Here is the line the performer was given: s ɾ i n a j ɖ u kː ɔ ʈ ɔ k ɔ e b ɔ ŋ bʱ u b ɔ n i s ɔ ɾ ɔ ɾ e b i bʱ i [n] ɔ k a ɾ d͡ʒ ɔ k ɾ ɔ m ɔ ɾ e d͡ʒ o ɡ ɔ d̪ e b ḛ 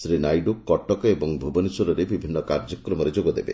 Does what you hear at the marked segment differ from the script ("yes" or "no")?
yes